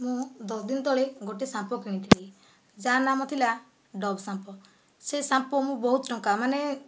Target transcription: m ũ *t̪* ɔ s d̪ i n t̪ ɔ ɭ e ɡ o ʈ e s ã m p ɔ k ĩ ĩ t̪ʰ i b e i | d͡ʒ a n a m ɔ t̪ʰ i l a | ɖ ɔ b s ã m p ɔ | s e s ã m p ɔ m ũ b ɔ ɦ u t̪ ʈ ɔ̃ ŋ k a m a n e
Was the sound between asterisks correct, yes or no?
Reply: no